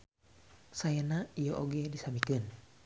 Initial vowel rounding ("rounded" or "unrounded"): unrounded